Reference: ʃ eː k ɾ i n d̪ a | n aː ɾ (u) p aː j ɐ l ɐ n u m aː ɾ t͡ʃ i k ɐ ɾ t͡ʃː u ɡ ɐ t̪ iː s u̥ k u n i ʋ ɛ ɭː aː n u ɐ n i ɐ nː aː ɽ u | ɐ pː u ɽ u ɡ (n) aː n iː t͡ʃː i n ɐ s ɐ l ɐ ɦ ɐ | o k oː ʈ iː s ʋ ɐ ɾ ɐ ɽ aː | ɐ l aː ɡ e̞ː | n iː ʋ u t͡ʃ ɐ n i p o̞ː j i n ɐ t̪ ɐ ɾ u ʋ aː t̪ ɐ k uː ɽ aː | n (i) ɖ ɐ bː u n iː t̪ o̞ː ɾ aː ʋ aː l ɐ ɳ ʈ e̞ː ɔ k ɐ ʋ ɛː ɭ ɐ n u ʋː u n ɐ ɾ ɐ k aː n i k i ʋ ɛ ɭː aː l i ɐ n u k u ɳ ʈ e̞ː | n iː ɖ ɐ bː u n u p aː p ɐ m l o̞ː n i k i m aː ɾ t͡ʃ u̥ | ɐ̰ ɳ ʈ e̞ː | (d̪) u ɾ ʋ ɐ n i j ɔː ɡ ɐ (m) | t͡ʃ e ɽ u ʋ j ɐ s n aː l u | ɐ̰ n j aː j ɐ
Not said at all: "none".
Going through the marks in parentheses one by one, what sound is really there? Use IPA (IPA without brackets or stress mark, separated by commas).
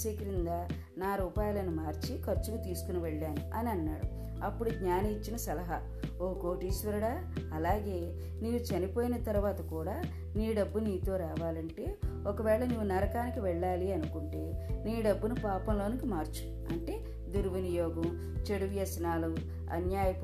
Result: uː, ɲ, iː, d̪, m